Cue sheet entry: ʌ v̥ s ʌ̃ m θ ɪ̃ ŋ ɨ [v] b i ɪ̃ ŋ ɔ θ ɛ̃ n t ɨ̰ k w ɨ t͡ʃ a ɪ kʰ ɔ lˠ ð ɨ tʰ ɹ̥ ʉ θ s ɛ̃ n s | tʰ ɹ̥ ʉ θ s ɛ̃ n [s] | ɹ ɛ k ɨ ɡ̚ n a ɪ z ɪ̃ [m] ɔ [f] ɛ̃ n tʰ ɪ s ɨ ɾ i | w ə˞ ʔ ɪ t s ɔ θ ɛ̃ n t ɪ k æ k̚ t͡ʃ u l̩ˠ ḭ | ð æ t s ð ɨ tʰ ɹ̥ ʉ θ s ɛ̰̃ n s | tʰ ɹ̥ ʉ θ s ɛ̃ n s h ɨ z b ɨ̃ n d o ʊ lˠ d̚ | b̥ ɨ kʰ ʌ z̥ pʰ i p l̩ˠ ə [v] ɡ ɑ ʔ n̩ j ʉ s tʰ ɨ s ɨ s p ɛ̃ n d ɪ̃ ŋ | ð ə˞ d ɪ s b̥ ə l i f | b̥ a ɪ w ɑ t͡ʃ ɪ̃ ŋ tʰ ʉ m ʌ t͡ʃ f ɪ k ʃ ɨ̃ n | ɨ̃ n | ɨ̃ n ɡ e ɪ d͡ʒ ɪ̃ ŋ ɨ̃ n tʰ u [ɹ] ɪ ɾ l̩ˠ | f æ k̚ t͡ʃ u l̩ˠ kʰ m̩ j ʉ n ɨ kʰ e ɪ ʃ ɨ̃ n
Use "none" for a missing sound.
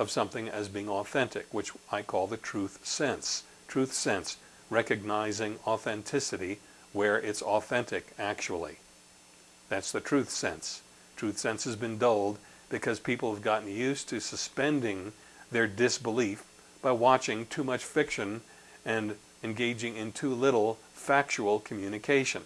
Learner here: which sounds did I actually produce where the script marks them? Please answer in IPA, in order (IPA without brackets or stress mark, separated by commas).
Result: z, s, ŋ, θ, v, l